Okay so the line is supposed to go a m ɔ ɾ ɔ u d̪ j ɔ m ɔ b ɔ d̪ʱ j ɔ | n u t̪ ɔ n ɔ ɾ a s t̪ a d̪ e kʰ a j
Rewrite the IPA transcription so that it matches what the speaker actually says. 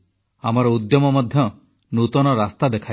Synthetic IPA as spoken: a m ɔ ɾ ɔ u d̪ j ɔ m ɔ m ɔ d̪ʱ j ɔ | n u t̪ ɔ n ɔ ɾ a s t̪ a d̪ e kʰ a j